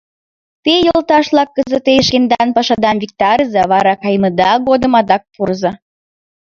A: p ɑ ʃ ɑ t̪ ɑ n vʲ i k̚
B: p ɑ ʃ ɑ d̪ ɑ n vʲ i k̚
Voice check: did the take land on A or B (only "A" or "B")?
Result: B